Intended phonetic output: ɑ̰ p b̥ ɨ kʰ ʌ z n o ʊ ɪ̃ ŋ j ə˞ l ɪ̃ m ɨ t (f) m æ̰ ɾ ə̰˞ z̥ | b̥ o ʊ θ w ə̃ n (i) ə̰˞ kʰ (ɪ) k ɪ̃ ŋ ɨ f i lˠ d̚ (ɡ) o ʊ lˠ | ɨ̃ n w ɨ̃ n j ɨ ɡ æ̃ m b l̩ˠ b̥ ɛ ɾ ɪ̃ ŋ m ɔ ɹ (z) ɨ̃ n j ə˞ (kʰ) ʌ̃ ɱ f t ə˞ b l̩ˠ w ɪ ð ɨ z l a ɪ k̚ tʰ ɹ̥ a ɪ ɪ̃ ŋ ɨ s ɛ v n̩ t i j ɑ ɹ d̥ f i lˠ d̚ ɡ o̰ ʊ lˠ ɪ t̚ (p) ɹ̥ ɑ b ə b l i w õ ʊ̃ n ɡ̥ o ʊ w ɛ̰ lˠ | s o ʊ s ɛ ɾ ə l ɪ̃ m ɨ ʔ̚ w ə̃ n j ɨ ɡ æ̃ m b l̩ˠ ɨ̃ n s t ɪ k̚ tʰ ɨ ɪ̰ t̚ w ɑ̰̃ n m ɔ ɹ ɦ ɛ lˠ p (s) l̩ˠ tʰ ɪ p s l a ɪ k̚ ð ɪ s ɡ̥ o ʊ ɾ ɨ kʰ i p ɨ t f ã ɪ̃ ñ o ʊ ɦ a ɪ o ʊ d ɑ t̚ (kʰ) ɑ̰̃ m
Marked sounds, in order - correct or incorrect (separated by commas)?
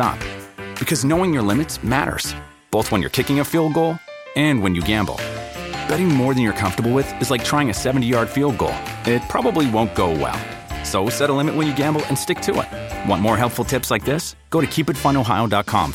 incorrect, incorrect, correct, correct, incorrect, correct, incorrect, incorrect, correct